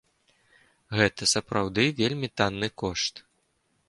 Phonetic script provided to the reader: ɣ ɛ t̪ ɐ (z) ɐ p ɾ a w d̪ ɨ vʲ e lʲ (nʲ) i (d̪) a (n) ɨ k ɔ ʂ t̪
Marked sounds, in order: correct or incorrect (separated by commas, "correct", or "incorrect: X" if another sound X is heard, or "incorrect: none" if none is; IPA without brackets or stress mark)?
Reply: incorrect: s, incorrect: mʲ, incorrect: t̪, incorrect: nː